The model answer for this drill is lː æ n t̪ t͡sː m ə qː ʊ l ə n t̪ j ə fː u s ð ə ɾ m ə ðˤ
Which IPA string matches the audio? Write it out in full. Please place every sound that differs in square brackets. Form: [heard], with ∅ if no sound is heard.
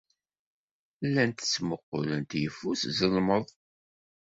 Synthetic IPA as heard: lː æ n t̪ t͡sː m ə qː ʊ l ə n t̪ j ə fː u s [z] ə [l] m ə ðˤ